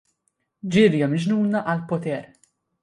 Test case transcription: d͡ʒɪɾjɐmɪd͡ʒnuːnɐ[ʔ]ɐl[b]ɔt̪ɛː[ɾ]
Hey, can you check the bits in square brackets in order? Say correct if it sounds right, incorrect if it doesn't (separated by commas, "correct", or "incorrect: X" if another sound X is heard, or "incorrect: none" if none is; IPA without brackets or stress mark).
correct, incorrect: p, correct